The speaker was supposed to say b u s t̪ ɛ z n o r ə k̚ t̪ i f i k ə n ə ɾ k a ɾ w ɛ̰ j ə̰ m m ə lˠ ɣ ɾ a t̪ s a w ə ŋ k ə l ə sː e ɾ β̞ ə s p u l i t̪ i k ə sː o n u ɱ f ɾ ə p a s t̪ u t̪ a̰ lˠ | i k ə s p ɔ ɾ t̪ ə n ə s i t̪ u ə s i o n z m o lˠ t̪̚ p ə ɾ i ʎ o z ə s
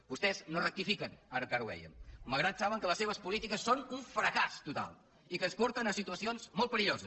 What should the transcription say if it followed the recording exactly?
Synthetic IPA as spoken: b u s t̪ ɛ z n o r ə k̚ t̪ i f i k ə n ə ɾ k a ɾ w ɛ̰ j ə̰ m m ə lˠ ɣ ɾ a t̪ s a β ə ŋ k ə l ə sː e β̞ ə s p u l i t̪ i k ə sː o n u ɱ f ɾ ə k a s t̪ u t̪ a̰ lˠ | i k ə s p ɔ ɾ t̪ ə n ə s i t̪ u ə s i o n z m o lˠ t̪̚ p ə ɾ i ʎ o z ə s